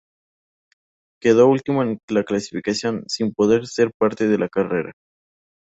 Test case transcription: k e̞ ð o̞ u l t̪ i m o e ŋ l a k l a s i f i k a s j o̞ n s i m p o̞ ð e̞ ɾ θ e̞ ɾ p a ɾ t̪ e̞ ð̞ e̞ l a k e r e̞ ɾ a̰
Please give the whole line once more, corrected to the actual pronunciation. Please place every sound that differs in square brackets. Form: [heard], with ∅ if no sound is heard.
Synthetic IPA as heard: k e̞ ð o̞ u l t̪ i m o e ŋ l a k l a s i f i k a s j o̞ n s i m p o̞ ð e̞ ɾ [s] e̞ ɾ p a ɾ t̪ e̞ ð̞ e̞ l a k [a] r e̞ ɾ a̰